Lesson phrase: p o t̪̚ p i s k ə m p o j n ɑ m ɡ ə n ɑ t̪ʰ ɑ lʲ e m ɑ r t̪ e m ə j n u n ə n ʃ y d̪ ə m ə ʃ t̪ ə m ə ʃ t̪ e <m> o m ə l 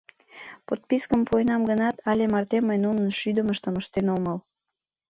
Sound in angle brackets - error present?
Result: yes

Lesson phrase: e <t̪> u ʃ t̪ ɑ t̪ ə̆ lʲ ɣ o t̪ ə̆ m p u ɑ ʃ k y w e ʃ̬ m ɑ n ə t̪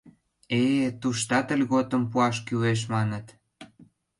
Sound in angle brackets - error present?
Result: no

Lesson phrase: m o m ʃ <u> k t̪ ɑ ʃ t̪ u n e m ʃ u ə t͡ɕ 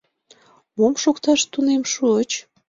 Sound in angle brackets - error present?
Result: yes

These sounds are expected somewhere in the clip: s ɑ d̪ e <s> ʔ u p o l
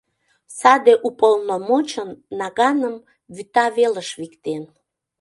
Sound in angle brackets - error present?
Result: yes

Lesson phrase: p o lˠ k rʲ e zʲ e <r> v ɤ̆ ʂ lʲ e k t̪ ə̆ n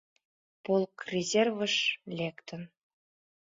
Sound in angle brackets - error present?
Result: no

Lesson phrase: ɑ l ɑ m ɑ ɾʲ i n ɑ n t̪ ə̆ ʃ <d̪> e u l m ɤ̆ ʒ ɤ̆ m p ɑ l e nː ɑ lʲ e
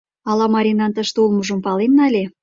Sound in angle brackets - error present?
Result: yes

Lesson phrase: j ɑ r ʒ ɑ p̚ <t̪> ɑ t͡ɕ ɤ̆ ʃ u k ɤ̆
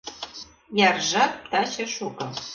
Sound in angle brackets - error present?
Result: no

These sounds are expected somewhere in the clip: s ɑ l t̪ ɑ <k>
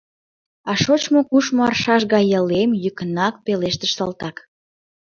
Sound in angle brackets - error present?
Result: no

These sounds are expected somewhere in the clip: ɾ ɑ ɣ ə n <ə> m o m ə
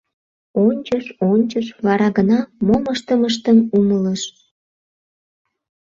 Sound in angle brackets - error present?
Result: yes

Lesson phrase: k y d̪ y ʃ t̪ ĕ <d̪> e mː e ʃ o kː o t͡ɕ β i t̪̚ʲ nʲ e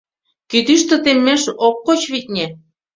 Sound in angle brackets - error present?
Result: yes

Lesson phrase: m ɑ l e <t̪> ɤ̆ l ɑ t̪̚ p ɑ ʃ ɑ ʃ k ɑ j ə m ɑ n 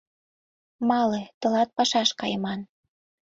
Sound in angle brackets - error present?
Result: no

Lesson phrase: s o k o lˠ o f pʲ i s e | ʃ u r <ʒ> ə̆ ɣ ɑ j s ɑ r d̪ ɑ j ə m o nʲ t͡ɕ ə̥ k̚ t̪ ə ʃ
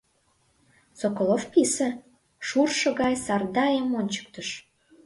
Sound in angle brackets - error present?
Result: yes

